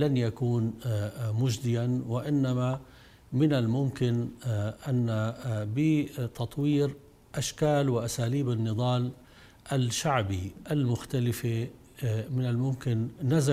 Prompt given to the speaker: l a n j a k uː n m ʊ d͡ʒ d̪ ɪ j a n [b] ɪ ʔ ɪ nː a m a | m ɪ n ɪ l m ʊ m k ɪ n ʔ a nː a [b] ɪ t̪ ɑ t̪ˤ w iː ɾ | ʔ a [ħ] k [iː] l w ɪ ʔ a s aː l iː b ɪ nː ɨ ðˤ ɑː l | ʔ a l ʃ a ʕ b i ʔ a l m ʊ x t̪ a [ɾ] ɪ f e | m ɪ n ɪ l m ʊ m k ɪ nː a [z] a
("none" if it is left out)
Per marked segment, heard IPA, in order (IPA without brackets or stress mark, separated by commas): w, b, ʃ, aː, l, z